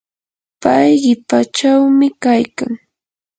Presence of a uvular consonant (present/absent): present